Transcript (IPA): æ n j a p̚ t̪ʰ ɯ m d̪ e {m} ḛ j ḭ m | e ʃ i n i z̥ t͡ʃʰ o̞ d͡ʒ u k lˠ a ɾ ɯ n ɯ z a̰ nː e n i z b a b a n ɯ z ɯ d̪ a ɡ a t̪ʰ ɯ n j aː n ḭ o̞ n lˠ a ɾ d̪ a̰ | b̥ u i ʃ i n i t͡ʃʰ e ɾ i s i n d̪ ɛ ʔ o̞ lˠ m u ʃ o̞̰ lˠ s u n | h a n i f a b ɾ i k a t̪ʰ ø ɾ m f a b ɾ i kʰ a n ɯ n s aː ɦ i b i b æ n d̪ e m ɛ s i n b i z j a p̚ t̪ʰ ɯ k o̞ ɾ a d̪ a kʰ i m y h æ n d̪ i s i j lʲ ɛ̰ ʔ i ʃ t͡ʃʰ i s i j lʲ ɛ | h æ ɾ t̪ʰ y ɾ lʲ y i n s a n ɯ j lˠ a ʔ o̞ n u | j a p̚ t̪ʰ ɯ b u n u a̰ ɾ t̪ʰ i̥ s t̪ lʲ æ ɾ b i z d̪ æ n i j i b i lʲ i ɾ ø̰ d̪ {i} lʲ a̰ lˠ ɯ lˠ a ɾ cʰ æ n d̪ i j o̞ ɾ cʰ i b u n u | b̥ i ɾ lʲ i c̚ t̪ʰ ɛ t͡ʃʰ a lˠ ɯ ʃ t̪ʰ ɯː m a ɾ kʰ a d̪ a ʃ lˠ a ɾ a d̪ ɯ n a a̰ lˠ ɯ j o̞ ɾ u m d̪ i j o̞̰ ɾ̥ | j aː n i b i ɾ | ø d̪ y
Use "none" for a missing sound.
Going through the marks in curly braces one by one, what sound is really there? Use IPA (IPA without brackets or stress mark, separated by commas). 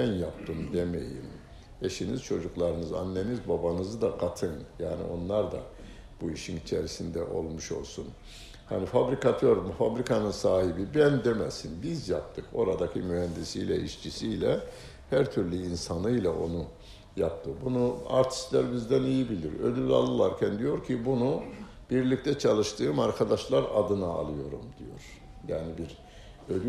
m, y